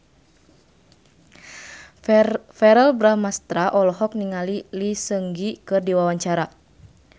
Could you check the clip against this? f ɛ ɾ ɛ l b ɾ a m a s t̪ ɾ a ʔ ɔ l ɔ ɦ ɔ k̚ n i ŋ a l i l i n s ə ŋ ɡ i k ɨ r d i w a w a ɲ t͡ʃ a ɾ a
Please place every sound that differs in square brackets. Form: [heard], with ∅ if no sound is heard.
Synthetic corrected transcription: f ɛ ɾ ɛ l b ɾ a m a s t̪ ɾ a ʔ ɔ l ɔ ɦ ɔ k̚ n i ŋ a l i l i [∅] s ə ŋ ɡ i k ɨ r d i w a w a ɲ t͡ʃ a ɾ a